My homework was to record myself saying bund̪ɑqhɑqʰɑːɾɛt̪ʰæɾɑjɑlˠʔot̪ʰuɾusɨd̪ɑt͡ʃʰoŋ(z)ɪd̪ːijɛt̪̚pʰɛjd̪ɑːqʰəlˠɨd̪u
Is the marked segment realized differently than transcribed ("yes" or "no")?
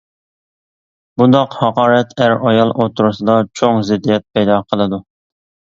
no